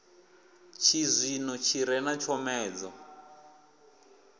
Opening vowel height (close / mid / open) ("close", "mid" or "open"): close